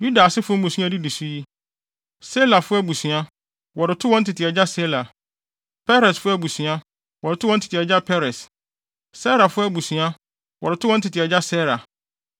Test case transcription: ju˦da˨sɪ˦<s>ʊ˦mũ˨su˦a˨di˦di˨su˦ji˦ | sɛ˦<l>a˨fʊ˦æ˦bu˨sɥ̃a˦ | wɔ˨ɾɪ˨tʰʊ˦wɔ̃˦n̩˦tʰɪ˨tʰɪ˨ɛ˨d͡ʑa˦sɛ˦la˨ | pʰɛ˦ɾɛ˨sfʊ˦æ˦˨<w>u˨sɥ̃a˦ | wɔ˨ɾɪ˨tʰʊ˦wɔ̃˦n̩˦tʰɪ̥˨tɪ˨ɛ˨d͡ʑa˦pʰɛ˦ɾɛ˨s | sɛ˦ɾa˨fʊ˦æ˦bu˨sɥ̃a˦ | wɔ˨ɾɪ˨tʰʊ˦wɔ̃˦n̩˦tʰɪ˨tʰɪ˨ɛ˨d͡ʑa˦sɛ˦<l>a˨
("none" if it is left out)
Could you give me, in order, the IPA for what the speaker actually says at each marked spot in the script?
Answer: f, l, b, ɾ

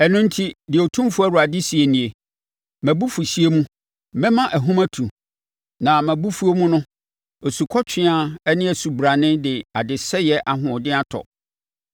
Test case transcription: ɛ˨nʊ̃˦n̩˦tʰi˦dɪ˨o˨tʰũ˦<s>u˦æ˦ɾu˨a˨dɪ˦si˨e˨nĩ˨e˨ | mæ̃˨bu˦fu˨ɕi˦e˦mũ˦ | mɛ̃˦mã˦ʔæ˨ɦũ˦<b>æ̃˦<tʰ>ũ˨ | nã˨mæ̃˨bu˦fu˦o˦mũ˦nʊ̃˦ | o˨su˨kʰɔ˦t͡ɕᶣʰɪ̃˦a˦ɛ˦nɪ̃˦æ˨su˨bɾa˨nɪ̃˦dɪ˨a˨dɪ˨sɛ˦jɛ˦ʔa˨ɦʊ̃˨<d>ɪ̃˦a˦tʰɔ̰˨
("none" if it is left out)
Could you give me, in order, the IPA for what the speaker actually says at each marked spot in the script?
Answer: f, m, tʰ, d

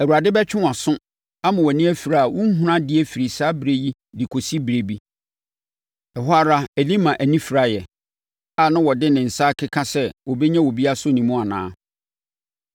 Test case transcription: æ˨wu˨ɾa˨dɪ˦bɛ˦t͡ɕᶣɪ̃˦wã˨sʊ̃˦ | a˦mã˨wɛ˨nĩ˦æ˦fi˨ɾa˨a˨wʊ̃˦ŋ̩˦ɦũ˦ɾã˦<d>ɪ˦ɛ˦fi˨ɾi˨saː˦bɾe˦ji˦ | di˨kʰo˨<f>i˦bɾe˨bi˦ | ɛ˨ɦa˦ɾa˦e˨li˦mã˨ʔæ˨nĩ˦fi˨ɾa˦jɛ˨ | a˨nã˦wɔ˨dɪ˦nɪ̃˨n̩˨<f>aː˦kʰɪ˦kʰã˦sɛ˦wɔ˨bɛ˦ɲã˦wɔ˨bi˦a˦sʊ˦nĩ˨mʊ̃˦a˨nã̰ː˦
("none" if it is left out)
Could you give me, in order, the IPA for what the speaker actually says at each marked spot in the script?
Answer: d, s, s

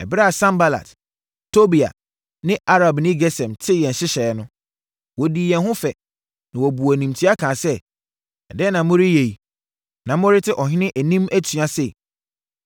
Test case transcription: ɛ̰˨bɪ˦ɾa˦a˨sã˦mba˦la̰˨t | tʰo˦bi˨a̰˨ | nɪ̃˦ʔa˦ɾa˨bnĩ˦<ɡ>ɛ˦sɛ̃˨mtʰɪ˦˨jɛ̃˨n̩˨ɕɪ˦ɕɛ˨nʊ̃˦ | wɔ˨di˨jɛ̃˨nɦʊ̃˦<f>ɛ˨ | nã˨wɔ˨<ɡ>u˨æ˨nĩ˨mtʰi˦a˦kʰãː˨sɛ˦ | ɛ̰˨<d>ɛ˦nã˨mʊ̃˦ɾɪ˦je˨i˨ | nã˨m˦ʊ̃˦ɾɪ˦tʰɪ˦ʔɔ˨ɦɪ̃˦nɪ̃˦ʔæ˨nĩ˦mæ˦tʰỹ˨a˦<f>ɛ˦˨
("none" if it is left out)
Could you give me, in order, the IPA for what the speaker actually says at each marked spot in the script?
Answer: ɡ, f, b, d, s

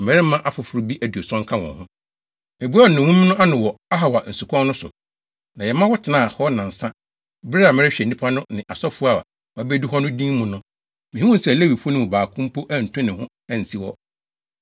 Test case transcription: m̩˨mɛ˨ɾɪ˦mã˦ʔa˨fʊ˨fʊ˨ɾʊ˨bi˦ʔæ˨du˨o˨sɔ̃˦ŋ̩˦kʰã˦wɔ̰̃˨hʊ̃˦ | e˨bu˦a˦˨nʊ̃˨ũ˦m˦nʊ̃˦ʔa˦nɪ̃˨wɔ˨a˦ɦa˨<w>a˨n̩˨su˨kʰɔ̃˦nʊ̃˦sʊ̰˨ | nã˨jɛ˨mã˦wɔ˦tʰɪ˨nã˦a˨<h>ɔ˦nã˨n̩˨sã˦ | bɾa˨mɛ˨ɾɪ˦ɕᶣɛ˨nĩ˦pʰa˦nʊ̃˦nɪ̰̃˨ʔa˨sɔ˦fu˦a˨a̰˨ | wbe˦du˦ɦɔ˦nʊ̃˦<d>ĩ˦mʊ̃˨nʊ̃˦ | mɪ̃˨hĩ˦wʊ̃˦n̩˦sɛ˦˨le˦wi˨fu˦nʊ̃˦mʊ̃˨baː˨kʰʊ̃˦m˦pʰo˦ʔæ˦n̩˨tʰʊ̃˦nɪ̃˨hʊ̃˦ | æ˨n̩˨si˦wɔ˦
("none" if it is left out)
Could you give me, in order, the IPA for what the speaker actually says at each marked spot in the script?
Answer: w, h, d

